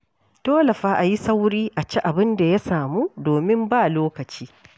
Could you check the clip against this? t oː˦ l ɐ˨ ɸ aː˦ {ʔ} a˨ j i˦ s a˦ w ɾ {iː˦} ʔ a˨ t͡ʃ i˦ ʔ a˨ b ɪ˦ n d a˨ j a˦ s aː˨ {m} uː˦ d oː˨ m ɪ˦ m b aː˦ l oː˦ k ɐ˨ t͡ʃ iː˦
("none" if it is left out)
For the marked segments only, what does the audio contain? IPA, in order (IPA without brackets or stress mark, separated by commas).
ʔ, iː˦, m